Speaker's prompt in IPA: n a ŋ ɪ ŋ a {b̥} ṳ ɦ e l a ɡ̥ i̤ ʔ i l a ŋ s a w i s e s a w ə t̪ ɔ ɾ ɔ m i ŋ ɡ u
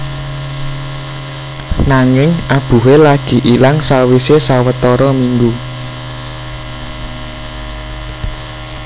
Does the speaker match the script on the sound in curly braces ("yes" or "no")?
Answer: yes